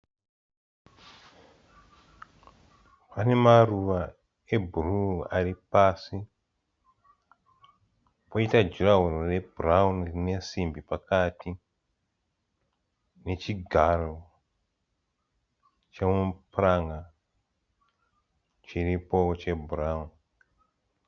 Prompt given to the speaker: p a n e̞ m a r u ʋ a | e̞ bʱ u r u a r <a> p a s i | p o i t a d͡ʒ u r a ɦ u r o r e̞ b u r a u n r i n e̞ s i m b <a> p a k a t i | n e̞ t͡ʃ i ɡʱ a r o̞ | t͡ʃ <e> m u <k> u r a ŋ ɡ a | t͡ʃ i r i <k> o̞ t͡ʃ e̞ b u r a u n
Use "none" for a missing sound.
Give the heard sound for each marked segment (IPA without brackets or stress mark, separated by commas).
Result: i, i, e, p, p